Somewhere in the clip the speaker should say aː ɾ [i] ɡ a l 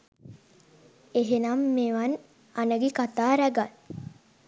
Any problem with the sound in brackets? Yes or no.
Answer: yes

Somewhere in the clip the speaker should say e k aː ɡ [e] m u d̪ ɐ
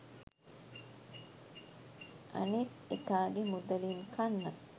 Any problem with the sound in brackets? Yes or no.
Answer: no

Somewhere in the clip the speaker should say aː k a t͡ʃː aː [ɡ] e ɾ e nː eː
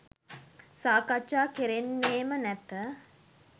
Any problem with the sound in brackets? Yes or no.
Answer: yes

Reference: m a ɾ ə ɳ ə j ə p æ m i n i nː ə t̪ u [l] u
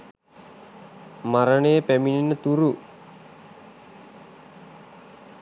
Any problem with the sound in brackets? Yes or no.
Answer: yes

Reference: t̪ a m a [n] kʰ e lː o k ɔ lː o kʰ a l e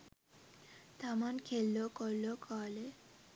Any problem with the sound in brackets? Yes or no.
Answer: no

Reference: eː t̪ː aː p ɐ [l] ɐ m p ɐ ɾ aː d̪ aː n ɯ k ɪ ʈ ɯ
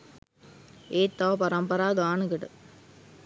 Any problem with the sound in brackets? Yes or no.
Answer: yes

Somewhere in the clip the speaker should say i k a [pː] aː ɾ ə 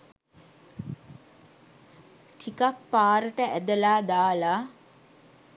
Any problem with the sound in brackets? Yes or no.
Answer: no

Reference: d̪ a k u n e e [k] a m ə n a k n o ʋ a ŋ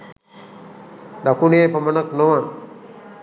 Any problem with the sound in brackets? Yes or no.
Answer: yes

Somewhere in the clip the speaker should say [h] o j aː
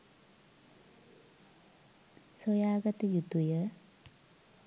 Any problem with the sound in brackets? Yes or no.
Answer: yes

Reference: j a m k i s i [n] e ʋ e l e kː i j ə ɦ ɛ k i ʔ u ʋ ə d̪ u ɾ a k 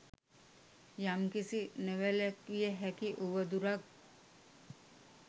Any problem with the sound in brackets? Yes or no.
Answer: no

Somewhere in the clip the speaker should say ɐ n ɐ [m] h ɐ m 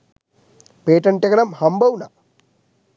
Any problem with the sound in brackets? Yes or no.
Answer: no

